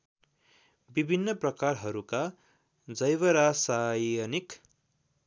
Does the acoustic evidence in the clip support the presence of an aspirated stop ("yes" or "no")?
no